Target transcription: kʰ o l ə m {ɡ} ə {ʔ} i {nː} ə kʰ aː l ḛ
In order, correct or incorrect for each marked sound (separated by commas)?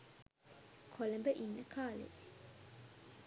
incorrect, correct, correct